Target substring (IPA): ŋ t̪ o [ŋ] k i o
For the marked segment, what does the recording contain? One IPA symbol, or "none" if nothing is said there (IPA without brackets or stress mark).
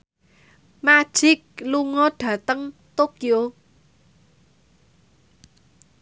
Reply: none